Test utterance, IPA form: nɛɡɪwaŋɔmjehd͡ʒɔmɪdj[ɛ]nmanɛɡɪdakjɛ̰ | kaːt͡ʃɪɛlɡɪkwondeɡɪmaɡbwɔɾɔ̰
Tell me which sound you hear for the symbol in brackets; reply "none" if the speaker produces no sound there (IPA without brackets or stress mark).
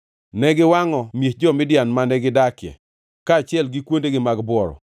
a